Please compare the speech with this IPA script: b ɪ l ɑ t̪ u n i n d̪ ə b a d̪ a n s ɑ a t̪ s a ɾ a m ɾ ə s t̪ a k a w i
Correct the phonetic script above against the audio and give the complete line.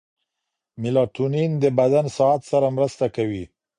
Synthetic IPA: m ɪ l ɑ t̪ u n i n d̪ ə b a d̪ a n s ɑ a t̪ s a ɾ a m ɾ ə s t̪ a k a w i